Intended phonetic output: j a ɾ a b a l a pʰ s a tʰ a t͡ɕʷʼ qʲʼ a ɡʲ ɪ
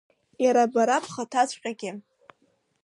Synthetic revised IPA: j a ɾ a b a ɾ a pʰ χ a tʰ a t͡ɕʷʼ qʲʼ a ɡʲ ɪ